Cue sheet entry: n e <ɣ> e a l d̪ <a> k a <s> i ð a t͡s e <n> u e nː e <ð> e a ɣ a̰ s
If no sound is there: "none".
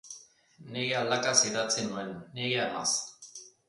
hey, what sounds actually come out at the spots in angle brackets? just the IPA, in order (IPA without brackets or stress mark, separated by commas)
ɣ, a, s, n, ɣ